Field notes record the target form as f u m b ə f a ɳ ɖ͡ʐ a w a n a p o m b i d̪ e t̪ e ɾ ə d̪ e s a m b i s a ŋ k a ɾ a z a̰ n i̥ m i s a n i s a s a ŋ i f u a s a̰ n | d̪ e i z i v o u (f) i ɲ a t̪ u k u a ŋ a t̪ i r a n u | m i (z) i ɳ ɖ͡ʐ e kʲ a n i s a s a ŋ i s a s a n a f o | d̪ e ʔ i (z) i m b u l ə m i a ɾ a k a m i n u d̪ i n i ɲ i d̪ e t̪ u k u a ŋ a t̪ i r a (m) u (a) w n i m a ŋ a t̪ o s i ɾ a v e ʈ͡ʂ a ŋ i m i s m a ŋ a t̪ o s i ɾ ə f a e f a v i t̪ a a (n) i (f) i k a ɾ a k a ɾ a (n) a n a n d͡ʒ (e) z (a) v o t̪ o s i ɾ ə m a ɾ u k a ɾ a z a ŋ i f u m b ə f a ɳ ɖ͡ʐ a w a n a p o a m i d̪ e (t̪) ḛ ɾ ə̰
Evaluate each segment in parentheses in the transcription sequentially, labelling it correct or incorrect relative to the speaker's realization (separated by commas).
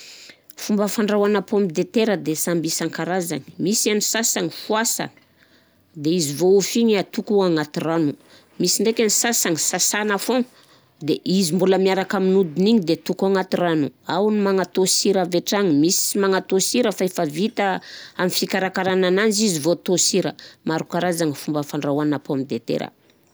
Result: correct, incorrect, correct, incorrect, correct, incorrect, correct, correct, incorrect, incorrect, correct